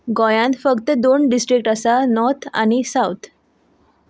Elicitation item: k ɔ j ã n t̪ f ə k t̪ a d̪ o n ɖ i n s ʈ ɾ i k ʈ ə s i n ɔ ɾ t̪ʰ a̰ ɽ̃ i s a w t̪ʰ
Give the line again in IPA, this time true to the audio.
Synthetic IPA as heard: ɡ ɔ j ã n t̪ f ə k t̪ ə d̪ o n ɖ i s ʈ ɾ i k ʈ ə s a n ɔ ɾ t̪ʰ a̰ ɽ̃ i s a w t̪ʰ